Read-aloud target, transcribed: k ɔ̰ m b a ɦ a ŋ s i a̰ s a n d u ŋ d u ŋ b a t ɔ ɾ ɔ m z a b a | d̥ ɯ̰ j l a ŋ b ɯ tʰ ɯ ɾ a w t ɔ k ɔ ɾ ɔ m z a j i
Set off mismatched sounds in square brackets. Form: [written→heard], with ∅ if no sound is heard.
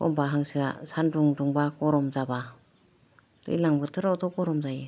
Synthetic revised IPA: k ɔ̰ m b a ɦ a ŋ s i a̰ s a n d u ŋ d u ŋ b a [t→k] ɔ ɾ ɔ m z a b a | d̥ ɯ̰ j l a ŋ b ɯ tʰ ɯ ɾ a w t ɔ k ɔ ɾ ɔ m z a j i